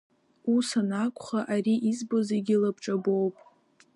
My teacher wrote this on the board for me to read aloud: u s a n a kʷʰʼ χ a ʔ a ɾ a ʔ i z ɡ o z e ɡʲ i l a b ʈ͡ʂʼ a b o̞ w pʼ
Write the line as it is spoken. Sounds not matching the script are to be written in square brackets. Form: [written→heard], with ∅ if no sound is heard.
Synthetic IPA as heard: u s a n a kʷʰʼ χ a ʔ a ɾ [a→i] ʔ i z [ɡ→b] o z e ɡʲ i l a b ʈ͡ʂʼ a b o̞ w pʼ